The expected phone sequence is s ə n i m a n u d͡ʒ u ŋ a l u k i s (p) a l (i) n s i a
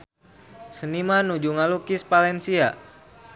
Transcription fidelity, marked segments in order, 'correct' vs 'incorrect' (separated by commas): correct, incorrect